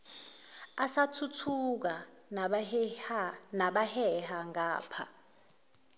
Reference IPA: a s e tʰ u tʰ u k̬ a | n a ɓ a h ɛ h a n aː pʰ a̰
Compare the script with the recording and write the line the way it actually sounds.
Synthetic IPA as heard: a s a tʰ u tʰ u k̬ a | n a ɓ a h ɛ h a ŋ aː pʰ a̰